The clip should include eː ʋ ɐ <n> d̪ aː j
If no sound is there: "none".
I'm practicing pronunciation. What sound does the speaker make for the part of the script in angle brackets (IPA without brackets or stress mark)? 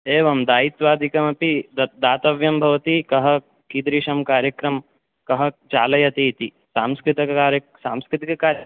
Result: m